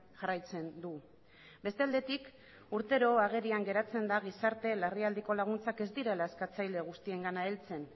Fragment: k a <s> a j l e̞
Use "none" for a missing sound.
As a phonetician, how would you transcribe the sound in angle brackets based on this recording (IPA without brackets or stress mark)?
t͡s